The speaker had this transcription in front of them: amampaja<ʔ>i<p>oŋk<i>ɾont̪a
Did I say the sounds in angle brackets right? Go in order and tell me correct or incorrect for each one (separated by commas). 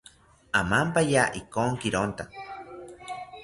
correct, incorrect, correct